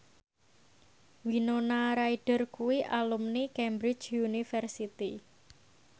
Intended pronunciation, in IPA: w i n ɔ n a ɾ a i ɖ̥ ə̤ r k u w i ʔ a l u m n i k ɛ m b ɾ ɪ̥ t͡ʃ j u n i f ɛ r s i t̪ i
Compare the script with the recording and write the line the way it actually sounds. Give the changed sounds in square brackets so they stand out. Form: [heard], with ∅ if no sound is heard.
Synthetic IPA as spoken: w i n [o] n a ɾ a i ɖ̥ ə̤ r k u w i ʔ a l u m n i k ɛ m b ɾ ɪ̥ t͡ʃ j u n i f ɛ r s i t̪ i